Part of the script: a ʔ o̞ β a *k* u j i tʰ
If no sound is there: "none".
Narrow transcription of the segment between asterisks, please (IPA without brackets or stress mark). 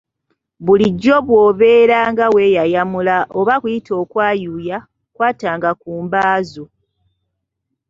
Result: k